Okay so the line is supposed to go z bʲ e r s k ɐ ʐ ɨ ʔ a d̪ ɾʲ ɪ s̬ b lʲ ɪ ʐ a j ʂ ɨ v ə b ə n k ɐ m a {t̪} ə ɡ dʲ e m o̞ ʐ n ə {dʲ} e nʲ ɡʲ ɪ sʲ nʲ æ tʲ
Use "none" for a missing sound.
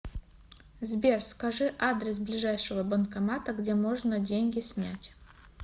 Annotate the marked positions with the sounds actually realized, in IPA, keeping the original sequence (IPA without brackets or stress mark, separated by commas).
t̪, dʲ